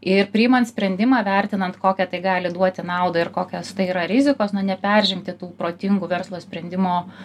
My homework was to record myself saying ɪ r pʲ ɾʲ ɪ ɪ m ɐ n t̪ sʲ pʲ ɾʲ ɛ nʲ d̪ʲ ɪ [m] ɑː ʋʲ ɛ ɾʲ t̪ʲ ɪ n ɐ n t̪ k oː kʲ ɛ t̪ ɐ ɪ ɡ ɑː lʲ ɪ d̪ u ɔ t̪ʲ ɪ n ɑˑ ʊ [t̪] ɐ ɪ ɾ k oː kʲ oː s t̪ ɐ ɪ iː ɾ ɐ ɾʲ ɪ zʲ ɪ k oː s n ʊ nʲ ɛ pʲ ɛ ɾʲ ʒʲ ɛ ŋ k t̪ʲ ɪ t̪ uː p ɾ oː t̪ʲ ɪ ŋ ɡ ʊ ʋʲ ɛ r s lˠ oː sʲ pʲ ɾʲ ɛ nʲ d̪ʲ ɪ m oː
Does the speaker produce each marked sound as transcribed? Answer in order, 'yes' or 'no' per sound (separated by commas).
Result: yes, no